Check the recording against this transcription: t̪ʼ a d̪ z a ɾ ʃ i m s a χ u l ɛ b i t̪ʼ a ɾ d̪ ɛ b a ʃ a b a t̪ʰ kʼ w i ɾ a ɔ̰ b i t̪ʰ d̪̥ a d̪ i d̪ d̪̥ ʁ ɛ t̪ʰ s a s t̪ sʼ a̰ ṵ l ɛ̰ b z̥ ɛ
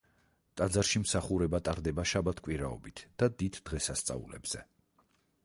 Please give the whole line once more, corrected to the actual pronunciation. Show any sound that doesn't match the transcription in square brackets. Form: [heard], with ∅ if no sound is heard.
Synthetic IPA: t̪ʼ a d̪ z a ɾ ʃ i m s a χ u [ɾ] ɛ b [a] t̪ʼ a ɾ d̪ ɛ b a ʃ a b a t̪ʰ kʼ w i ɾ a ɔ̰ b i t̪ʰ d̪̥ a d̪ i d̪ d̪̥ ʁ ɛ [∅] s a s t̪ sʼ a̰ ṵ l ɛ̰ b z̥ ɛ